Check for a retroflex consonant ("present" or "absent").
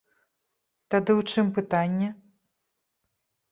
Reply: present